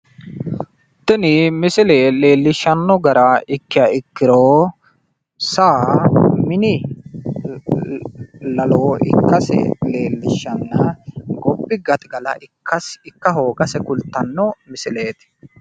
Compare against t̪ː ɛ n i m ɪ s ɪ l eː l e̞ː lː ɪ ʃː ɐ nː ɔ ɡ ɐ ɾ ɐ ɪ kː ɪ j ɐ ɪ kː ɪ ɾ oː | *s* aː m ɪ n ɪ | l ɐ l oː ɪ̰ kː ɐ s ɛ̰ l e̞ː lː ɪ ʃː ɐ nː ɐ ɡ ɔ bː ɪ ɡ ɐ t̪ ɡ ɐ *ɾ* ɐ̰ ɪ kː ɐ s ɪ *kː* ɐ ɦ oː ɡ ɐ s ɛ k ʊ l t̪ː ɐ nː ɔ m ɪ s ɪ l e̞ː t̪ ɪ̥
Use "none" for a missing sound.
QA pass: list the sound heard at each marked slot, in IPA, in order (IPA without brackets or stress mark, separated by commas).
s, l, kː